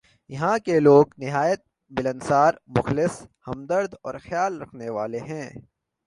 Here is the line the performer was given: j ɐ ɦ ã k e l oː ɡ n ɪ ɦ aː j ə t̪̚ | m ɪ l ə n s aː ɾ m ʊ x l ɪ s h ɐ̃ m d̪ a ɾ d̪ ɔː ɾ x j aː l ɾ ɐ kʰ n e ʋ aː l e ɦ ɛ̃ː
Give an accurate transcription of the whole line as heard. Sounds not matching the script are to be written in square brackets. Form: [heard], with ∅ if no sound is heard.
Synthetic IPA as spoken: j ɐ ɦ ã k e l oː ɡ n ɪ ɦ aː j ə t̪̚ | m ɪ l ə n s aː ɾ m ʊ x l ɪ s h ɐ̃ m d̪ [ə] ɾ d̪ ɔː ɾ x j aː l ɾ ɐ kʰ n e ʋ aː l e ɦ ɛ̃ː